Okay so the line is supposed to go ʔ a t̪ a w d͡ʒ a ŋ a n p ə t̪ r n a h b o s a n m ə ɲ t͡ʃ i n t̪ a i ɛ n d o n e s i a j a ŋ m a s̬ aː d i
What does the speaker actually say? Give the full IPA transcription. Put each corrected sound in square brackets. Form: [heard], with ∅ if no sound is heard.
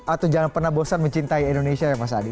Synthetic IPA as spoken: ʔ a t̪ a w d͡ʒ a ŋ a n p ə [∅] r n a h b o s a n m ə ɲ t͡ʃ i n t̪ a i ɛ n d o n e s i a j a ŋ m a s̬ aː d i

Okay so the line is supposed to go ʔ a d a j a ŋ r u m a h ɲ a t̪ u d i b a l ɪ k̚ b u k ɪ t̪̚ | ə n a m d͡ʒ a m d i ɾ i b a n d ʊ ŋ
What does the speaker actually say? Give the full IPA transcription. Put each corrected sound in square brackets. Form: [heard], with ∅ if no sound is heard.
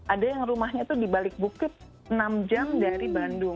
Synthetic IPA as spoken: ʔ a d a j a ŋ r u m a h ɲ a t̪ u d i b a l ɪ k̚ b u k ɪ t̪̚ | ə n a m d͡ʒ a m d [a] ɾ i b a n d ʊ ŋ

